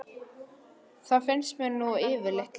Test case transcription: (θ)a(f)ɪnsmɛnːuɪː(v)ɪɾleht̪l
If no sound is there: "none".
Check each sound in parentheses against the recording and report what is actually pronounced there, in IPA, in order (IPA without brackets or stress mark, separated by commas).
θ, f, v